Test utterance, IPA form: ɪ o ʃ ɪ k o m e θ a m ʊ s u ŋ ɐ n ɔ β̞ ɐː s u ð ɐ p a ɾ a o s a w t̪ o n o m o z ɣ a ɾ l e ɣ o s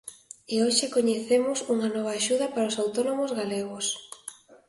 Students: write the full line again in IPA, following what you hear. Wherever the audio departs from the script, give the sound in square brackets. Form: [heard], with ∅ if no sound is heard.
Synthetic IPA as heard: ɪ o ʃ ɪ k o [ɲ] e θ [e] m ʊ s u ŋ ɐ n ɔ β̞ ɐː [ʃ] u ð ɐ p a ɾ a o s a w t̪ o n o m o z ɣ a [∅] l e ɣ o s